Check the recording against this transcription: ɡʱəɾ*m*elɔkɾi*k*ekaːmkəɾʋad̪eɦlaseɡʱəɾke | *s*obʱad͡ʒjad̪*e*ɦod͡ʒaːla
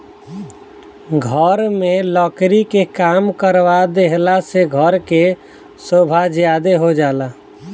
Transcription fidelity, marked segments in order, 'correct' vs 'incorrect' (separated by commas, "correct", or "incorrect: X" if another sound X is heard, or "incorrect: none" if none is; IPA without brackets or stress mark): correct, correct, correct, correct